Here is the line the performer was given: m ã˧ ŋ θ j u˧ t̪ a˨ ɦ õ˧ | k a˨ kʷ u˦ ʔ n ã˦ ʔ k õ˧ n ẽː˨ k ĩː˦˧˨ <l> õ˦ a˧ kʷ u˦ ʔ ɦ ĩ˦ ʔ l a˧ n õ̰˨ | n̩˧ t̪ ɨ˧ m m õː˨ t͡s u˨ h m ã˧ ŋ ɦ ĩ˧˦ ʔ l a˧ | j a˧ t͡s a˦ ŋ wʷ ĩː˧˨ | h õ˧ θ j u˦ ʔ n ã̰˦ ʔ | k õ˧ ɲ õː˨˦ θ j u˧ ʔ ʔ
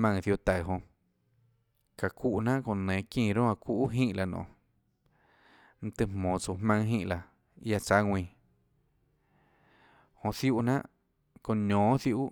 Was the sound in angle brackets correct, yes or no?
no